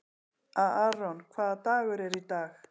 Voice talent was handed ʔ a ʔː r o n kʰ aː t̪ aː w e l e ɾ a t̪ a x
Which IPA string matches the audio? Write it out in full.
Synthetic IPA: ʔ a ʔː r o n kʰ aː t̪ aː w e ɾ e ɾ i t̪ a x